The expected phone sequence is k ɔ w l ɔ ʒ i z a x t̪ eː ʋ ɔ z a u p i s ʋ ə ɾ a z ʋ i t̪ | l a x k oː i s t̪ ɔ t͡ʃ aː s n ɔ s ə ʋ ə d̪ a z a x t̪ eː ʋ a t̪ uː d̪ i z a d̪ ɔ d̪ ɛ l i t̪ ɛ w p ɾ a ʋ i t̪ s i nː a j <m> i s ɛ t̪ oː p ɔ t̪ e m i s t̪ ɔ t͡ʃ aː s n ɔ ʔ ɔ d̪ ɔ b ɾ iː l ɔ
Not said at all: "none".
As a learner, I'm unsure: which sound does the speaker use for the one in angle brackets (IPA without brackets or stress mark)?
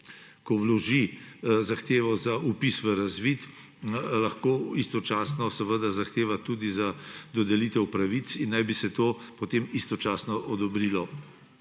b